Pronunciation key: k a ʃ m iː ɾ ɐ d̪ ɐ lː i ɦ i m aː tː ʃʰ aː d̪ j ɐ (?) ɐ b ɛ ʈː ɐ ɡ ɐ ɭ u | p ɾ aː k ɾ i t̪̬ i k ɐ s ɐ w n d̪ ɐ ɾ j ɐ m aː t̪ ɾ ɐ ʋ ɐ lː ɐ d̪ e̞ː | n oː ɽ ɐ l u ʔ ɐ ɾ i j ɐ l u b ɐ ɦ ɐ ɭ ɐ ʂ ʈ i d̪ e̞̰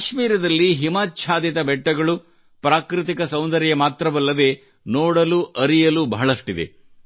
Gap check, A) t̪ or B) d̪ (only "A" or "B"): A